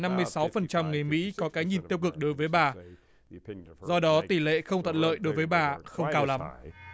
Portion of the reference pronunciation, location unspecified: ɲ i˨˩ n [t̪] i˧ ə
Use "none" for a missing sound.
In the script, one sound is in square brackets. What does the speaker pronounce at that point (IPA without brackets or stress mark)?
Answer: t̪